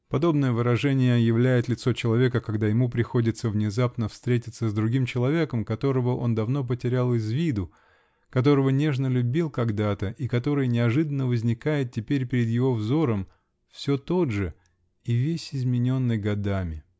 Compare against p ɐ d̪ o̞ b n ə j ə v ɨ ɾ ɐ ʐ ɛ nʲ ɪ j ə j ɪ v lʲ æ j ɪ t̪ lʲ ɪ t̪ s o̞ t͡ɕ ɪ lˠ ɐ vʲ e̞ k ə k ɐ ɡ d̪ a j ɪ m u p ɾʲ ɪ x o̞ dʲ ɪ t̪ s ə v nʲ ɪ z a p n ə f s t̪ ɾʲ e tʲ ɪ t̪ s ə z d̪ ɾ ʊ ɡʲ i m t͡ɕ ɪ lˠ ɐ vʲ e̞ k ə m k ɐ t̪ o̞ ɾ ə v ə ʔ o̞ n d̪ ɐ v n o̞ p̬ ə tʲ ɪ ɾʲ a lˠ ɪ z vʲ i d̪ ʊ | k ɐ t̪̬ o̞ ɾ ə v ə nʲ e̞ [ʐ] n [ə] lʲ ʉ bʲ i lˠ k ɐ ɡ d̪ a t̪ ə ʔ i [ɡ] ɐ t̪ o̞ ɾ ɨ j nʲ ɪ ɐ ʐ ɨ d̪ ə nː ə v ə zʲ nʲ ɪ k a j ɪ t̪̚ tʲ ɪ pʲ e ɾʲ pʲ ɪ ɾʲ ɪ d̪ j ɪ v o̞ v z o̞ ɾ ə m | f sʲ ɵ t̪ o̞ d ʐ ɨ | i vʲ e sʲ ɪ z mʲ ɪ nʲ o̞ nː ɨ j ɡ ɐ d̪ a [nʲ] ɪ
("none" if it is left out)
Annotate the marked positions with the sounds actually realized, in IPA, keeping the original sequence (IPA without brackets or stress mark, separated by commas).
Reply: ʐ, ə, k, mʲ